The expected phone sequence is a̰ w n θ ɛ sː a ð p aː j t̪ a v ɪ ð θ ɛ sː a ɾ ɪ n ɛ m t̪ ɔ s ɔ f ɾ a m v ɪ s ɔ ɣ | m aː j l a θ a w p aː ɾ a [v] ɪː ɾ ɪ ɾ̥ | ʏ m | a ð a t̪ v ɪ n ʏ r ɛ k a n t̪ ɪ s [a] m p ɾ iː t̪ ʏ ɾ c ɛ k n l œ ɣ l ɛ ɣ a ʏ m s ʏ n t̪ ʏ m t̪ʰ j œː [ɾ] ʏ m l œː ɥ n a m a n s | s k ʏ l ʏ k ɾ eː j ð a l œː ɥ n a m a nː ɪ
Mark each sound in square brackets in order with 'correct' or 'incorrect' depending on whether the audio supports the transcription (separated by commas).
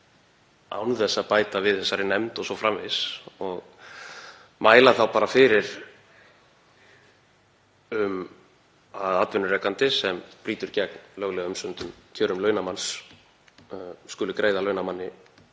incorrect, incorrect, correct